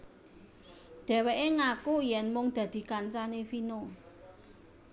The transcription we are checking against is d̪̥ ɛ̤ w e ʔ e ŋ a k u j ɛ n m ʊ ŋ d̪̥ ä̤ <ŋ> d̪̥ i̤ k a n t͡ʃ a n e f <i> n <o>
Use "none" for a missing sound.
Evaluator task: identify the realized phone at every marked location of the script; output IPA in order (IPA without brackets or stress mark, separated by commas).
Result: none, i, o